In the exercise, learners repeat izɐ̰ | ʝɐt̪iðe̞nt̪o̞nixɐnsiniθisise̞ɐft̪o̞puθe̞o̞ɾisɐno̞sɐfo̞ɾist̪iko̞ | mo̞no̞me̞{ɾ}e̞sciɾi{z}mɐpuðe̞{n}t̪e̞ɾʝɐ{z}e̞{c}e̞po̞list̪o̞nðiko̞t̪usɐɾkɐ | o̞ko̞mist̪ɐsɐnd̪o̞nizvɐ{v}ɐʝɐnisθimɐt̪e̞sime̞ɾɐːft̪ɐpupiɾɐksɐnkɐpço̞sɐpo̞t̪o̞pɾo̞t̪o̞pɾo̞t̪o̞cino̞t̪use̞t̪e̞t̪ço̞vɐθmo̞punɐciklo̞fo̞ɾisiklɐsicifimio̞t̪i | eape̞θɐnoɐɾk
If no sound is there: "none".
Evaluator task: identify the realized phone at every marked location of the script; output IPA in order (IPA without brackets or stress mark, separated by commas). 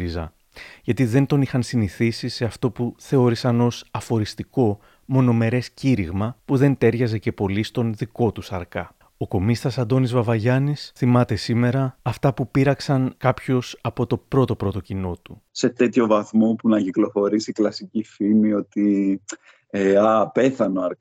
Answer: ɾ, ɣ, n, z, c, v